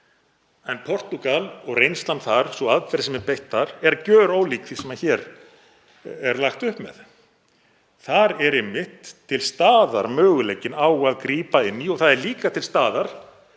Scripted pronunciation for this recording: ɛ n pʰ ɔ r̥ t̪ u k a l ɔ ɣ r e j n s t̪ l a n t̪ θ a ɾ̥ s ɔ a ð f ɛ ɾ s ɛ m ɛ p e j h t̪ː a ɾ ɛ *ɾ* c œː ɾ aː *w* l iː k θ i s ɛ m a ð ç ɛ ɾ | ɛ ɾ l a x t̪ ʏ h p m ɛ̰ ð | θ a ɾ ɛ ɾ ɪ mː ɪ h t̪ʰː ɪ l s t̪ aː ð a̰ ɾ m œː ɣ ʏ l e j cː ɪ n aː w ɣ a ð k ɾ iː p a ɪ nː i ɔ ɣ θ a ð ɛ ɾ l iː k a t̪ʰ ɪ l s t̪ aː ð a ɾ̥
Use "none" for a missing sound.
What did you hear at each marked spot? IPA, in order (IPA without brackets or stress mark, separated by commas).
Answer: ɾ, w